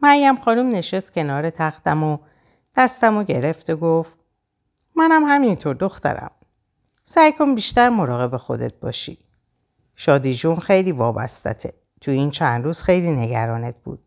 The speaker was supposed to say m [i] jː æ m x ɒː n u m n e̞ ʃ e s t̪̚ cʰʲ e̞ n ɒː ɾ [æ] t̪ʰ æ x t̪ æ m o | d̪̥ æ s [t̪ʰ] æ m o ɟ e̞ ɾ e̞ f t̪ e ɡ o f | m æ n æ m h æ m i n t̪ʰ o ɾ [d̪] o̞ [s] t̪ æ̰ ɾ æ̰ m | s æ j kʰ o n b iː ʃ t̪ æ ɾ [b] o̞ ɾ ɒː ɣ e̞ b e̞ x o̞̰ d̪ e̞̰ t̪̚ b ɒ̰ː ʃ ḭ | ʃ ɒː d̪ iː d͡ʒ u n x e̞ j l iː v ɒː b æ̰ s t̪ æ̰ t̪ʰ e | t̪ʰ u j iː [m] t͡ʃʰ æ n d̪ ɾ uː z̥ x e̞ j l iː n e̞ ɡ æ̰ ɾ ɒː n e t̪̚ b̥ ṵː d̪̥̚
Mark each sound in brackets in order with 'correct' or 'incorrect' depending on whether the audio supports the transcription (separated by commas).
incorrect, incorrect, incorrect, correct, incorrect, incorrect, incorrect